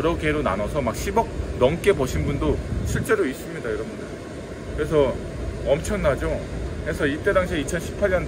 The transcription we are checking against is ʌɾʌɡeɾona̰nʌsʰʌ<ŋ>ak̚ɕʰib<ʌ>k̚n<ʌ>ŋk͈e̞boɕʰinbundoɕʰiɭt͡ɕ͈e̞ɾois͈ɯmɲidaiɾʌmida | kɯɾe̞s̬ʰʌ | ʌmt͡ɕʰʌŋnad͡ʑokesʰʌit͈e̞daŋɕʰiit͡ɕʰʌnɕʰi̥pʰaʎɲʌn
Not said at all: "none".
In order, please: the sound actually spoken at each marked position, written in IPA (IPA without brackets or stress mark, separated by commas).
m, ʌ, ʌ